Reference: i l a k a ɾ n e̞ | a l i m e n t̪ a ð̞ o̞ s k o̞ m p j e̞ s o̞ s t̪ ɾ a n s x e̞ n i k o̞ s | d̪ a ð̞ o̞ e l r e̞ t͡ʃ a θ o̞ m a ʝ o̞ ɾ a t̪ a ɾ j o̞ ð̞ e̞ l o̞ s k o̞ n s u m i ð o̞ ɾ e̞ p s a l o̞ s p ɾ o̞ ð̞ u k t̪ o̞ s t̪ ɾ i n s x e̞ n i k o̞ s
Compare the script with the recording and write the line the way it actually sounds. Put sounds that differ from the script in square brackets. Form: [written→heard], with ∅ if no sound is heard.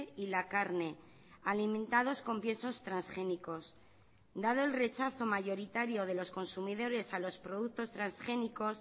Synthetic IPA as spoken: i l a k a ɾ n e̞ | a l i m [e→ẽ] n t̪ a ð̞ o̞ s k o̞ m p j e̞ s o̞ s t̪ ɾ a n s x e̞ n i k o̞ s | d̪ a ð̞ o̞ e l r e̞ t͡ʃ a θ o̞ m a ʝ o̞ ɾ [a→i] t̪ a ɾ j o̞ ð̞ e̞ l o̞ s k o̞ n s u m i ð o̞ ɾ e̞ [p→∅] s a l o̞ s p ɾ o̞ ð̞ u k t̪ o̞ s t̪ ɾ [i→a] n s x e̞ n i k o̞ s

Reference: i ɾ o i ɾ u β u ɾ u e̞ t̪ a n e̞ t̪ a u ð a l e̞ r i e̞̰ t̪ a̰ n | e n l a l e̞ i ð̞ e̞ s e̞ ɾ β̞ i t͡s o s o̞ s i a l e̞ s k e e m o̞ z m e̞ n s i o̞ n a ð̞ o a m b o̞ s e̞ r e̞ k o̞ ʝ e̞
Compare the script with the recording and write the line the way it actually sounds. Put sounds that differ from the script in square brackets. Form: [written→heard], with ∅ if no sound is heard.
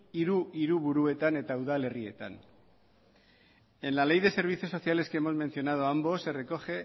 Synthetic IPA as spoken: i ɾ [o→u] i ɾ u β u ɾ u e̞ t̪ a n e̞ t̪ a u ð a l e̞ r i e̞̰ t̪ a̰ n | e n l a l e̞ [i→j] ð̞ e̞ s e̞ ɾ β̞ i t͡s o s o̞ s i a l e̞ s k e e m o̞ z m e̞ n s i o̞ n a ð̞ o a m b o̞ s e̞ r e̞ k o̞ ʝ e̞

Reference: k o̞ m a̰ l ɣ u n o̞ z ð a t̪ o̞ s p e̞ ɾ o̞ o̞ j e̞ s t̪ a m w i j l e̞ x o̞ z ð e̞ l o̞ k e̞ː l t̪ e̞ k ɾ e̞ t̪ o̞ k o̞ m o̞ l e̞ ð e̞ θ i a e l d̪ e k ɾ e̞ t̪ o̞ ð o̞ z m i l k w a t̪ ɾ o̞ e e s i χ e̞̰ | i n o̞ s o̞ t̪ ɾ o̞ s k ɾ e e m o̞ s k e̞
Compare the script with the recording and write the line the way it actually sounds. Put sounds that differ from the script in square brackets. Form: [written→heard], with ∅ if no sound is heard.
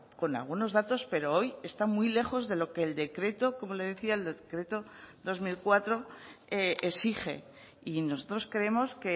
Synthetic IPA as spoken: k o̞ [m→n] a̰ l ɣ u n o̞ z ð a t̪ o̞ s p e̞ ɾ o̞ o̞ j e̞ s t̪ a m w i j l e̞ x o̞ z ð e̞ l o̞ k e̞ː l [t̪→d̪] e̞ k ɾ e̞ t̪ o̞ k o̞ m o̞ l e̞ ð e̞ θ i a e l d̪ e k ɾ e̞ t̪ o̞ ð o̞ z m i l k w a t̪ ɾ o̞ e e s i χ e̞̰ | i n o̞ s o̞ t̪ ɾ o̞ s k ɾ e e m o̞ s k e̞

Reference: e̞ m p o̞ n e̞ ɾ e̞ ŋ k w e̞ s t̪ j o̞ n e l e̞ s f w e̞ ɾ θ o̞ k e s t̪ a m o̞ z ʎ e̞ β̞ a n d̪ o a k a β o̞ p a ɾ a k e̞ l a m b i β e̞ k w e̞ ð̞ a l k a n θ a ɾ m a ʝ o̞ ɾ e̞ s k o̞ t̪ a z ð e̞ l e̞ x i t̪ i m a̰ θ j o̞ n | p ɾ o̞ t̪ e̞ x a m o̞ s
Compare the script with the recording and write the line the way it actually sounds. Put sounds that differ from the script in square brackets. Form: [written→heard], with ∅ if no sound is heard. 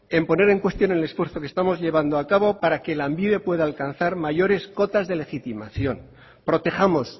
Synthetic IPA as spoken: e̞ m p o̞ n e̞ ɾ e̞ ŋ k w e̞ s t̪ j o̞ n e l e̞ s f w e̞ ɾ θ o̞ k e s t̪ a m o̞ z ʎ e̞ β̞ a n d̪ o a k a β o̞ p a ɾ a k e̞ l a m b i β e̞ [k→p] w e̞ ð̞ a l k a n θ a ɾ m a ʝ o̞ ɾ e̞ s k o̞ t̪ a z ð e̞ l e̞ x i t̪ i m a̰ θ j o̞ n | p ɾ o̞ t̪ e̞ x a m o̞ s

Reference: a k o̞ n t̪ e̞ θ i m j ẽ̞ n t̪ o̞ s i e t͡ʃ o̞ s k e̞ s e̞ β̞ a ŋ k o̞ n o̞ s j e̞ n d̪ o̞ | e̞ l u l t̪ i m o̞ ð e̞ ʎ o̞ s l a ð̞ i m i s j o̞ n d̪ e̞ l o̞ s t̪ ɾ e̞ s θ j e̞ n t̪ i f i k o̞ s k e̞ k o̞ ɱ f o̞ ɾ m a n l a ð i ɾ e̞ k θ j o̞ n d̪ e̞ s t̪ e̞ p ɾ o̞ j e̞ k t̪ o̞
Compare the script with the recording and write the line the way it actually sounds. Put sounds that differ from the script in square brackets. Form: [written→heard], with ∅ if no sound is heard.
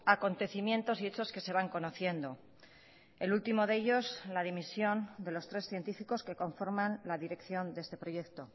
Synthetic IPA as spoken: a k o̞ n t̪ e̞ θ i m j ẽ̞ n t̪ o̞ s i e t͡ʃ o̞ s k e̞ s e̞ β̞ a ŋ k o̞ n o̞ [s→θ] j e̞ n d̪ o̞ | e̞ l u l t̪ i m o̞ ð e̞ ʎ o̞ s l a ð̞ i m i s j o̞ n d̪ e̞ l o̞ s t̪ ɾ e̞ s θ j e̞ n t̪ i f i k o̞ s k e̞ k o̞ ɱ f o̞ ɾ m a n l a ð i ɾ e̞ k θ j o̞ n d̪ e̞ s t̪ e̞ p ɾ o̞ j e̞ k t̪ o̞

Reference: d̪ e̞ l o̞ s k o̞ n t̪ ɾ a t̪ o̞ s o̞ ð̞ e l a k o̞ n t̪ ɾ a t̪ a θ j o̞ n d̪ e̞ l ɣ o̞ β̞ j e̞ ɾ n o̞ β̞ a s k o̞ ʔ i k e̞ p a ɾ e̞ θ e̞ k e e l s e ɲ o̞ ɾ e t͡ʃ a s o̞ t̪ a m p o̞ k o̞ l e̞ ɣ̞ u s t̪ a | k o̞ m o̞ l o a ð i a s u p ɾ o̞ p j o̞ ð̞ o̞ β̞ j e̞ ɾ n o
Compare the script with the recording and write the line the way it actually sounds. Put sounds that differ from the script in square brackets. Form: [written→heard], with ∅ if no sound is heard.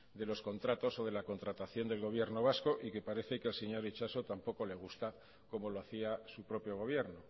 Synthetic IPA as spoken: d̪ e̞ l o̞ s k o̞ n t̪ ɾ a t̪ o̞ s o̞ ð̞ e l a k o̞ n t̪ ɾ a t̪ a θ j o̞ n d̪ e̞ l ɣ o̞ β̞ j e̞ ɾ n o̞ β̞ a s k o̞ ʔ i k e̞ p a ɾ e̞ θ e̞ k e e l s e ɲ o̞ ɾ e t͡ʃ a s o̞ t̪ a m p o̞ k o̞ l e̞ ɣ̞ u s t̪ a | k o̞ m o̞ l o a [ð→θ] i a s u p ɾ o̞ p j o̞ [ð̞→ɣ̞] o̞ β̞ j e̞ ɾ n o

